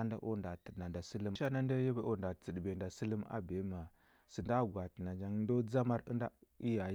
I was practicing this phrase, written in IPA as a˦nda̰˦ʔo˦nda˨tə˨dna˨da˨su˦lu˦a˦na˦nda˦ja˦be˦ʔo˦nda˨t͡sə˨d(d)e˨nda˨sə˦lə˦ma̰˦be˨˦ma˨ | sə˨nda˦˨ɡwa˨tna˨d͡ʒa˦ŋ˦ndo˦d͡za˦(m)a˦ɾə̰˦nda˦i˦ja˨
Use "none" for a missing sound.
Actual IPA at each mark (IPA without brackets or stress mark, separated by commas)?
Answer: b, m